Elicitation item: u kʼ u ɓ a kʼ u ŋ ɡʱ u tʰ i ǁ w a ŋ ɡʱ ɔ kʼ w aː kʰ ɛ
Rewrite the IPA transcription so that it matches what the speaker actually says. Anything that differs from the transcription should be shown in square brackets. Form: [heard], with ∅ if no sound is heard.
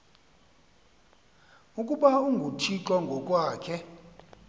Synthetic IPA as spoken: u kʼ u ɓ a [∅] u ŋ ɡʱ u tʰ i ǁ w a ŋ ɡʱ ɔ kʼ w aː kʰ ɛ